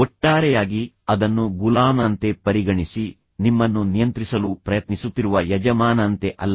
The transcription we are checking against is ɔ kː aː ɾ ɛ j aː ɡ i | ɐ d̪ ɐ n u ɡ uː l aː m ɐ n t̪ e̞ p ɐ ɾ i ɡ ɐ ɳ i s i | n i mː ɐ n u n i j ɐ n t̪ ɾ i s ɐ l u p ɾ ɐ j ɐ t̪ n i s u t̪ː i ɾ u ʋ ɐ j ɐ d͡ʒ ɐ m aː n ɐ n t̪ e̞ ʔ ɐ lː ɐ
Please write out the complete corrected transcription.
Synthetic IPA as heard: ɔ ʈː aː ɾ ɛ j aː ɡ i | ɐ d̪ ɐ nː u ɡ u l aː m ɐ n t̪ e̞ p ɐ ɾ i ɡ ɐ ɳ i s i | n i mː ɐ nː u n i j ɐ n t̪ ɾ i s ɐ l u p ɾ ɐ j ɐ t̪ n i s u t̪ː i ɾ u ʋ ɐ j ɐ d͡ʒ ɐ m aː n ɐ n t̪ e̞ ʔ ɐ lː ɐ